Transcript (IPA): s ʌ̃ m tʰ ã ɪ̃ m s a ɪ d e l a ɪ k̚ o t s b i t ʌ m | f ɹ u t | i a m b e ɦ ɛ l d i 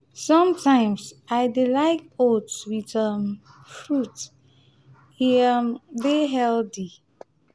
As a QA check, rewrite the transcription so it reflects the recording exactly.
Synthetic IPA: s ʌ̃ m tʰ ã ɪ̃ m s a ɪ d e l a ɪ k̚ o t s w i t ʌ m | f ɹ u t | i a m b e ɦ ɛ l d i